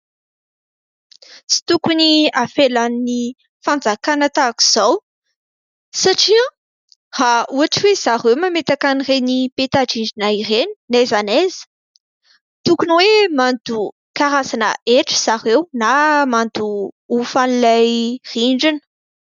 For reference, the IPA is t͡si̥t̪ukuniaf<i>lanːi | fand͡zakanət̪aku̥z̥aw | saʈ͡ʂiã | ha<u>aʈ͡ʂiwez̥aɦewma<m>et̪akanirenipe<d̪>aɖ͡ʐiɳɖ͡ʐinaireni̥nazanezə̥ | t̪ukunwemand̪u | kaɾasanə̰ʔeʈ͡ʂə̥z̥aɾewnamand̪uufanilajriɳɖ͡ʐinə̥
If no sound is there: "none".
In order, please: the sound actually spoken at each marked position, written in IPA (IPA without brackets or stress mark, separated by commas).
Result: e, u, m, t̪